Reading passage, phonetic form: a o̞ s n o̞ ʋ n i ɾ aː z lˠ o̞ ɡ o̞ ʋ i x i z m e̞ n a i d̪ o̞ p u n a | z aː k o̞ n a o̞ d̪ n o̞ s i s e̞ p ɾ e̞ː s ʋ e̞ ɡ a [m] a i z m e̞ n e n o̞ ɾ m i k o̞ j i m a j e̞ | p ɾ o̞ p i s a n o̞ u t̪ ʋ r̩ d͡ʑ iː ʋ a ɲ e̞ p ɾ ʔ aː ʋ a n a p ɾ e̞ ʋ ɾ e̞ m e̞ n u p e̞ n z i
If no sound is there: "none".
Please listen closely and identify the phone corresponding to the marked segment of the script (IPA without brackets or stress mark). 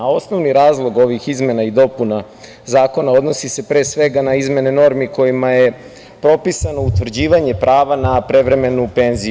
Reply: n